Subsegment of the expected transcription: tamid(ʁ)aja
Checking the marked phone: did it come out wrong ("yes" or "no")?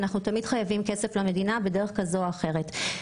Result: yes